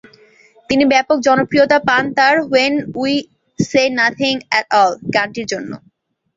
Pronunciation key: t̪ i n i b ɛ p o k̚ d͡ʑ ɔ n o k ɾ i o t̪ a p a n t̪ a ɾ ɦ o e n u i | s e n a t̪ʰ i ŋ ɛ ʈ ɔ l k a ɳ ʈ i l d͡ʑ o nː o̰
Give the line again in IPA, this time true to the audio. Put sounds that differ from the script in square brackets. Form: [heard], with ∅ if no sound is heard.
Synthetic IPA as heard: t̪ i n i b ɛ p o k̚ d͡ʑ ɔ n o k ɾ i o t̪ a p a n t̪ a ɾ ɦ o e n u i | s e n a t̪ʰ i ŋ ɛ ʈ ɔ l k a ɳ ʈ i [ɾ] d͡ʑ o nː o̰